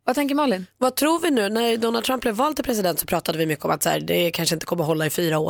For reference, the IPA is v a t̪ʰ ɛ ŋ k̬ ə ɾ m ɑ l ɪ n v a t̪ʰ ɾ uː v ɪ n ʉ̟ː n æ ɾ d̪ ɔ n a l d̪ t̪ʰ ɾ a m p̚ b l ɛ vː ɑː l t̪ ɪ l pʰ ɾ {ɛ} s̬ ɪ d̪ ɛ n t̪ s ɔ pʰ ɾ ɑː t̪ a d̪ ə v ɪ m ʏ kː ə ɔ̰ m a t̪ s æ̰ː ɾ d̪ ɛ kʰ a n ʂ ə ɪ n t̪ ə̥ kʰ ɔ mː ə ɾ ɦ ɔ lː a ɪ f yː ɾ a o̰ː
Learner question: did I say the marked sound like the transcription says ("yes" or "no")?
yes